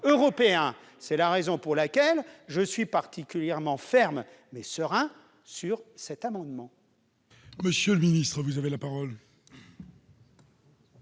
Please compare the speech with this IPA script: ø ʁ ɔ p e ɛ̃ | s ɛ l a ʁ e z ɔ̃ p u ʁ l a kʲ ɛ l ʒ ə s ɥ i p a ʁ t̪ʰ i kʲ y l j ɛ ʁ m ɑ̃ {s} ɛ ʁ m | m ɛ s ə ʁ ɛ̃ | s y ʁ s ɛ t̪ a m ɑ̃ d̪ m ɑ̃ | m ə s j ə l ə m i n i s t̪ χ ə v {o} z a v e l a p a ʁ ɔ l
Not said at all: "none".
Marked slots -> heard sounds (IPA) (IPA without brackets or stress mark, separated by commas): f, u